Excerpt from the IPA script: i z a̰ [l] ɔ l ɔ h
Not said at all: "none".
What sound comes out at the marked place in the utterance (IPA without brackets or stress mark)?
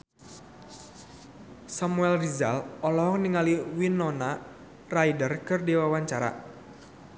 l